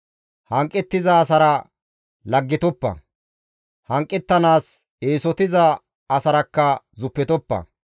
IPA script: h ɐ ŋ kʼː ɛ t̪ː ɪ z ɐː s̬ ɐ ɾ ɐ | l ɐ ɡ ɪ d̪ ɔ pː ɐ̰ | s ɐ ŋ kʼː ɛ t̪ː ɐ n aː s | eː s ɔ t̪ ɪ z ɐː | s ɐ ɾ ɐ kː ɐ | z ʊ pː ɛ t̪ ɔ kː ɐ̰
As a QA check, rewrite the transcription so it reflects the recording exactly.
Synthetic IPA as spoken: h ɐ ŋ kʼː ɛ t̪ː ɪ z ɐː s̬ ɐ ɾ ɐ | l ɐ ɡː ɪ t̪ ɔ pː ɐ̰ | h ɐ ŋ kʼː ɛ t̪ː ɐ n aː s | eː s ɔ t̪ ɪ z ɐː | s ɐ ɾ ɐ kː ɐ | z ʊ pː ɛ t̪ ɔ pː ɐ̰

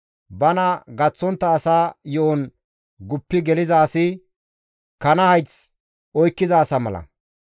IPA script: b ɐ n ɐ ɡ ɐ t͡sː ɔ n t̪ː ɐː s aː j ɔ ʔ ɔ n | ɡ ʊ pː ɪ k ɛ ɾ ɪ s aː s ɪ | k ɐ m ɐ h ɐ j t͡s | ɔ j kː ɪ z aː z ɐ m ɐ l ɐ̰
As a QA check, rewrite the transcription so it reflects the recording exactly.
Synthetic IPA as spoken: b ɐ n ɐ ɡ ɐ t͡sː ɔ n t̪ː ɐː s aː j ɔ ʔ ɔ n | ɡ ʊ pː ɪ ɡ ɛ l ɪ z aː s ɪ | k ɐ n ɐ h ɐ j t͡s | ɔ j kː ɪ z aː s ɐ m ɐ l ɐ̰

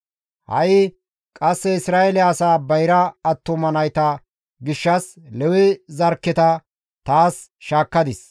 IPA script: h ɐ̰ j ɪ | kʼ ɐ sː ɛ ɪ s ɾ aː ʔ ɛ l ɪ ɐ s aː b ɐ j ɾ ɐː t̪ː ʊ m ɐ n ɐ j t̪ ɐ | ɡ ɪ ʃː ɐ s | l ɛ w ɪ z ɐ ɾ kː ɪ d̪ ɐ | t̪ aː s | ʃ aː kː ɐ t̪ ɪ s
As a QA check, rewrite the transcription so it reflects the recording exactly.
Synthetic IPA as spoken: h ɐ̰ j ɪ | kʼ ɐ sː ɛ ɪ s ɾ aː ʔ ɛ l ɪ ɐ s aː b ɐ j ɾ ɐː t̪ː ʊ m ɐ n ɐ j t̪ ɐ | ɡ ɪ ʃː ɐ s | l ɛ w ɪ z ɐ ɾ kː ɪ t̪ ɐ | t̪ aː s | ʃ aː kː ɐ d̪ ɪ s

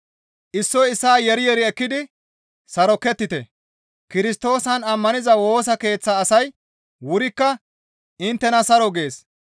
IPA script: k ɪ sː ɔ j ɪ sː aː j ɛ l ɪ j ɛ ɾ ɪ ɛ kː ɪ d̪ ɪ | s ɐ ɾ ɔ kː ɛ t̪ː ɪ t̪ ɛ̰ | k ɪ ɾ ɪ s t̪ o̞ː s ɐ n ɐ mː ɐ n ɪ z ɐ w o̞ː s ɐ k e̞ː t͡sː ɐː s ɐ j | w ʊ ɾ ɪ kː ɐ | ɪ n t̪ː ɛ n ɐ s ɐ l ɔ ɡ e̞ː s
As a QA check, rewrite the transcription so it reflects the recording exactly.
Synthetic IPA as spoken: ʔ ɪ sː ɔ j ɪ sː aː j ɛ ɾ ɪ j ɛ ɾ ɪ ɛ kː ɪ d̪ ɪ | s ɐ ɾ ɔ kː ɛ t̪ː ɪ t̪ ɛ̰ | k ɪ ɾ ɪ s t̪ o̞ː s ɐ n ɐ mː ɐ n ɪ z ɐ w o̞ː s ɐ k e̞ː t͡sː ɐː s ɐ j | w ʊ ɾ ɪ kː ɐ | ɪ n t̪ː ɛ n ɐ s ɐ ɾ ɔ ɡ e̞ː s

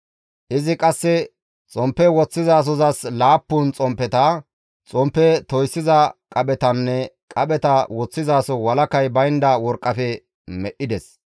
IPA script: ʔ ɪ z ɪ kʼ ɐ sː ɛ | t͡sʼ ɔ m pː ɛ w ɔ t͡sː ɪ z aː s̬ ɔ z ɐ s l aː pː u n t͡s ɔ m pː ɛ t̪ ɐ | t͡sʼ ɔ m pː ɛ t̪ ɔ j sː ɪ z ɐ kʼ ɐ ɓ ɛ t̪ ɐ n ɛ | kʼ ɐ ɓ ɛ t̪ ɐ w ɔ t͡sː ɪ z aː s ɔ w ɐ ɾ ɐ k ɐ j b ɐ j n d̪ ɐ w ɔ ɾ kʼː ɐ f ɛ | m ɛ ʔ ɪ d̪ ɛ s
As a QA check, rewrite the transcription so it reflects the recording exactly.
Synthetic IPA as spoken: ʔ ɪ z ɪ kʼ ɐ sː ɛ | t͡sʼ ɔ m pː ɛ w ɔ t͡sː ɪ z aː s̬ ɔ z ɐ s l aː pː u n t͡sʼ ɔ m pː ɛ t̪ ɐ | t͡sʼ ɔ m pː ɛ t̪ ɔ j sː ɪ z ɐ kʼ ɐ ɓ ɛ t̪ ɐ nː ɛ | kʼ ɐ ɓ ɛ t̪ ɐ w ɔ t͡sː ɪ z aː s ɔ w ɐ l ɐ k ɐ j b ɐ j n d̪ ɐ w ɔ ɾ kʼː ɐ f ɛ | m ɛ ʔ ɪ d̪ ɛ s

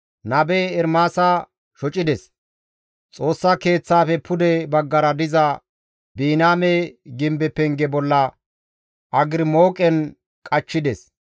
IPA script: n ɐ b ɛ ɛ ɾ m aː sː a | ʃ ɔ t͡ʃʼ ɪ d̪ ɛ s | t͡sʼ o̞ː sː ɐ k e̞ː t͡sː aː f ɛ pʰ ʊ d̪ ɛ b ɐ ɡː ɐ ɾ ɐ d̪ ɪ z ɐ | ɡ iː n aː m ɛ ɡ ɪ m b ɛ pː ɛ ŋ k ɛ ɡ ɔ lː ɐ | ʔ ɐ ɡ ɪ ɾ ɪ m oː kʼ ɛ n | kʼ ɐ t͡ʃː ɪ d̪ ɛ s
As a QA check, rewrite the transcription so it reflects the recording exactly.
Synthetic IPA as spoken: n ɐ b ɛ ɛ ɾ m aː s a | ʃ ɔ t͡ʃʼ ɪ d̪ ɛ s | t͡sʼ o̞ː sː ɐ k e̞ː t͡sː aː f ɛ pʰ ʊ d̪ ɛ b ɐ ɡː ɐ ɾ ɐ d̪ ɪ z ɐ | b iː n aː m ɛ ɡ ɪ m b ɛ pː ɛ ŋ ɡ ɛ b ɔ lː ɐ | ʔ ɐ ɡ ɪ ɾ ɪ m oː kʼ ɛ n | kʼ ɐ t͡ʃː ɪ d̪ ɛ s

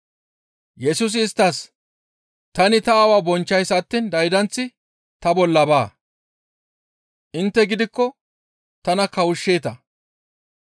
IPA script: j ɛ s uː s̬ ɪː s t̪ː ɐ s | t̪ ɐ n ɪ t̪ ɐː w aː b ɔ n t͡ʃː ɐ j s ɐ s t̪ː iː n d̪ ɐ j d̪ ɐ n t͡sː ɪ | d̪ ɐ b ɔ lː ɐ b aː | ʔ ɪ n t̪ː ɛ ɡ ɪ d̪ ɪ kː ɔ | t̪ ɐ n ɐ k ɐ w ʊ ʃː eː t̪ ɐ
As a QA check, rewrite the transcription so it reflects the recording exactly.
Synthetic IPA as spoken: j ɛ s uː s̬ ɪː s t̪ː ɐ s | t̪ ɐ n ɪ t̪ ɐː w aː b ɔ n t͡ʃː ɐ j s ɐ t̪ː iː n d̪ ɐ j d̪ ɐ n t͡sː ɪ | t̪ ɐ b ɔ lː ɐ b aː | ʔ ɪ n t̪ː ɛ ɡ ɪ d̪ ɪ kː ɔ | t̪ ɐ n ɐ k ɐ w ʊ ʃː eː t̪ ɐ

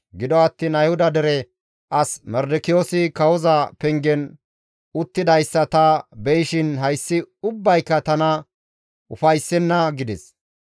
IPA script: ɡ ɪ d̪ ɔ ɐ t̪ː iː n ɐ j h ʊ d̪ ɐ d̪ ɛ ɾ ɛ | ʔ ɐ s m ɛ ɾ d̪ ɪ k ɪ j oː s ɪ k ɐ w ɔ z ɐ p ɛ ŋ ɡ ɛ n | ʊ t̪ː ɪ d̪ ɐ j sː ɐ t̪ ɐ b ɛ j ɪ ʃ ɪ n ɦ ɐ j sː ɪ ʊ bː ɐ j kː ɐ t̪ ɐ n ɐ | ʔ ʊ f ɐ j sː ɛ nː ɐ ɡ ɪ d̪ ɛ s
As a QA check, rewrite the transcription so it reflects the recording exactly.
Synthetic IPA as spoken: ɡ ɪ d̪ ɔ ɐ t̪ː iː n ɐ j h ʊ d̪ ɐ d̪ ɛ ɾ ɛ | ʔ ɐ s m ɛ ɾ d̪ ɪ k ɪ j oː s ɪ k ɐ w ɔ z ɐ p ɛ ŋ ɡ ɛ n | ʊ t̪ː ɪ d̪ ɐ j sː ɐ t̪ ɐ b ɛ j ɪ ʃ ɪ n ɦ ɐ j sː ɪ ʊ bː ɐ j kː ɐ t̪ ɐ n ɐ | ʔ ʊ f ɐ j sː ɛ nː ɐ ɡ ɪ d̪ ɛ s

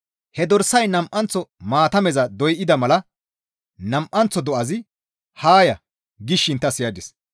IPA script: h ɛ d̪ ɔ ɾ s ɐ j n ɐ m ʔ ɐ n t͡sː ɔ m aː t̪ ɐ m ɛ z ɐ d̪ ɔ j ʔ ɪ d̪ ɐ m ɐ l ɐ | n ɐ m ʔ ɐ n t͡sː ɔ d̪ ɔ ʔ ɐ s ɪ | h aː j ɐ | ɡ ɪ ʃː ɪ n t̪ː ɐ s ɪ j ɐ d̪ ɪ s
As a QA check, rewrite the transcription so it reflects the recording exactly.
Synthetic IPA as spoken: h ɛ d̪ ɔ ɾ s ɐ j n ɐ m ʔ ɐ n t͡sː ɔ m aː t̪ ɐ m ɛ z ɐ d̪ ɔ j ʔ ɪ d̪ ɐ m ɐ l ɐ | n ɐ m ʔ ɐ n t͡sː ɔ d̪ ɔ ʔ ɐ z ɪ | h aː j ɐ | ɡ ɪ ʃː ɪ n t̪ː ɐ s ɪ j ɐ d̪ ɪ s

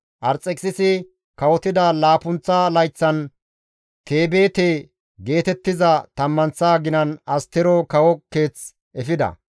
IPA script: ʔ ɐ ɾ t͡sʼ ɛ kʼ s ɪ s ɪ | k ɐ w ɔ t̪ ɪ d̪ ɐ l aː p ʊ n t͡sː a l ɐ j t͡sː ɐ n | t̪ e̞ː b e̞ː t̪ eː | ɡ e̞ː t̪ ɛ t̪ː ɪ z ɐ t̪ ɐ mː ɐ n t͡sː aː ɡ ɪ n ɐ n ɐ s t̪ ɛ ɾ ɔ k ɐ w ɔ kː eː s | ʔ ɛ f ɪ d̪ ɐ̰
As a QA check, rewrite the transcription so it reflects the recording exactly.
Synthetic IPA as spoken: ʔ ɐ ɾ t͡sʼ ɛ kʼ s ɪ s ɪ | k ɐ w ɔ t̪ ɪ d̪ ɐ l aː p ʊ n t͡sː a l ɐ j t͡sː ɐ n | t̪ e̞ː b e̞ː t̪ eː | ɡ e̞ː t̪ ɛ t̪ː ɪ z ɐ t̪ ɐ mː ɐ n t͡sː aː ɡ ɪ n ɐ n ɐ s t̪ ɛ ɾ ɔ k ɐ w ɔ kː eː t͡s | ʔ ɛ f ɪ d̪ ɐ̰

